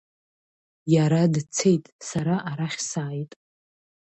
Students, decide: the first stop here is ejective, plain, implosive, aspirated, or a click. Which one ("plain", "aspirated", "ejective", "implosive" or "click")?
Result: plain